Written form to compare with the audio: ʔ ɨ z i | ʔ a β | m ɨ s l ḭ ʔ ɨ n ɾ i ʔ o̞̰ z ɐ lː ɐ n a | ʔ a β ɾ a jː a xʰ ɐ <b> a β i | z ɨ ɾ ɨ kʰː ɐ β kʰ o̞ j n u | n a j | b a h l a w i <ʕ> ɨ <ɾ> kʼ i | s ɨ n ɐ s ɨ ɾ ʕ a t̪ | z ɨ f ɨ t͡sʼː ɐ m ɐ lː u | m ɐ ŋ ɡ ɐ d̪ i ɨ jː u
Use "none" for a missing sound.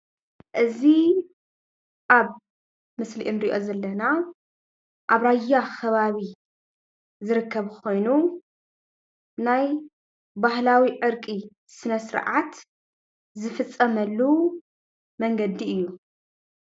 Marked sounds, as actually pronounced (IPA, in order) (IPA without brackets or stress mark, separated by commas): β, ʕ, ɾ